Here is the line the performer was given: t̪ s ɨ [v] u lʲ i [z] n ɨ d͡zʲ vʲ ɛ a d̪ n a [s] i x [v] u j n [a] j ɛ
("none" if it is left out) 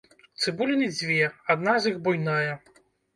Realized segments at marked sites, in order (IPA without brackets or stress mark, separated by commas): b, none, z, b, a